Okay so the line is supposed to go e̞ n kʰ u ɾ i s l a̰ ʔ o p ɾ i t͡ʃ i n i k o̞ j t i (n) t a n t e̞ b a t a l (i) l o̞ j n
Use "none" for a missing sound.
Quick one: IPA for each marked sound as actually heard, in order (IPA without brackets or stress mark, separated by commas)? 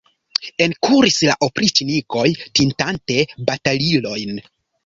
n, i